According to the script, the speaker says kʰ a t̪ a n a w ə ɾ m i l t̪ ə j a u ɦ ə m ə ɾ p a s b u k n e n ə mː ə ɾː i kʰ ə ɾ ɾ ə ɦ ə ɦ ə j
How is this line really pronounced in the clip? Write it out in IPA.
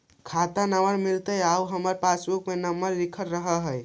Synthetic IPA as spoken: kʰ a t̪ a n a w ə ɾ m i l t̪ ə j a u ɦ ə m ə ɾ p a s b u k m e n ə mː ə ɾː i kʰ ə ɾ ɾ ə ɦ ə ɦ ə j